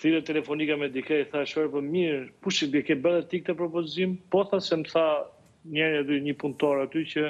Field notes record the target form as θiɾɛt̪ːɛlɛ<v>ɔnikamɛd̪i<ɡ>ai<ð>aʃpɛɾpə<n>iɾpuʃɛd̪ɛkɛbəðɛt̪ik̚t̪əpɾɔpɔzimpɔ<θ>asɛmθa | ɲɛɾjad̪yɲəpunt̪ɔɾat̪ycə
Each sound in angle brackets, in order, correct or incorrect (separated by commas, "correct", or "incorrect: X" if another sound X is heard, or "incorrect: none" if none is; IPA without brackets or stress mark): incorrect: f, incorrect: k, incorrect: θ, incorrect: m, correct